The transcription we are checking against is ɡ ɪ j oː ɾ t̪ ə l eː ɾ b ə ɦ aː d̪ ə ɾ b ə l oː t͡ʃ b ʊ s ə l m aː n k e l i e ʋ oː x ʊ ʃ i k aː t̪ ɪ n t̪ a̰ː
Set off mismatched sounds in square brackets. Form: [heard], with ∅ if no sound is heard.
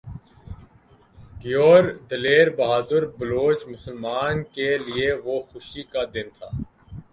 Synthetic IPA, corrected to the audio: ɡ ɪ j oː ɾ [d̪] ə l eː ɾ b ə ɦ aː d̪ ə ɾ b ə l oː t͡ʃ [m] ʊ s ə l m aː n k e l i e ʋ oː x ʊ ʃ i k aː [d̪] ɪ n [t̪ʰ] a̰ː